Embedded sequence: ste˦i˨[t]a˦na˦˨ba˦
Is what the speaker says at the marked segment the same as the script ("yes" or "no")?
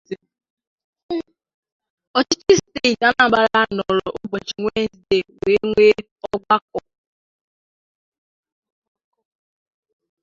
yes